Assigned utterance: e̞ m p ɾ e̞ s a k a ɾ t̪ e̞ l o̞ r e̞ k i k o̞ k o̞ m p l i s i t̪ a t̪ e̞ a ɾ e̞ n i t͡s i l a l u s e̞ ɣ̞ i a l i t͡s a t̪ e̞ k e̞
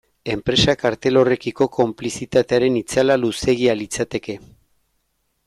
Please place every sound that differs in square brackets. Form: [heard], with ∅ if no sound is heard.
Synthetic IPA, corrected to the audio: e̞ m p ɾ e̞ s a k a ɾ t̪ e̞ l o̞ r e̞ k i k o̞ k o̞ m p l i s i t̪ a t̪ e̞ a ɾ e̞ n i t͡s [a] l a l u s e̞ ɣ̞ i a l i t͡s a t̪ e̞ k e̞